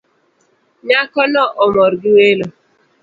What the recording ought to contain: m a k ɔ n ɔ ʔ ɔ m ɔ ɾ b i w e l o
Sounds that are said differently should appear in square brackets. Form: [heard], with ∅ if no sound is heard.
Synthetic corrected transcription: [ɲ] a k ɔ n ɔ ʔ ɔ m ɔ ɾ [ɡ] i w e l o